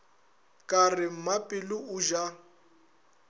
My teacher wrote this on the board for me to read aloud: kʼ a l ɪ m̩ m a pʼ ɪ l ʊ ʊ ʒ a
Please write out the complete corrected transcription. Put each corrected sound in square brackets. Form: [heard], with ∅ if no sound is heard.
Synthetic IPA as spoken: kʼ a [r] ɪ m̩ m a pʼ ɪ l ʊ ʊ ʒ a